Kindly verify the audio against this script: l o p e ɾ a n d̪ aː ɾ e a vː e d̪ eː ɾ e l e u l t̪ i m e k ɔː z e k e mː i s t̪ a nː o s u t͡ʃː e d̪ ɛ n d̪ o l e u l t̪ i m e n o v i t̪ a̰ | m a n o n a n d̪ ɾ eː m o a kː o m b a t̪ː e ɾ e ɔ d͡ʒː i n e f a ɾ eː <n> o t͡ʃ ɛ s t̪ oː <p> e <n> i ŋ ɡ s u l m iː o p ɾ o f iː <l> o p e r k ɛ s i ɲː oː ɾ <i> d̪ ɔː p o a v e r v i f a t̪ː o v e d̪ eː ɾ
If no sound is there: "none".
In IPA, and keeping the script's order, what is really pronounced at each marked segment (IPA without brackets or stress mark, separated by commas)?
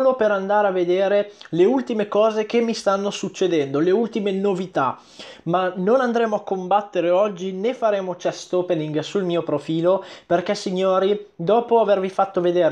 m, p, n, l, i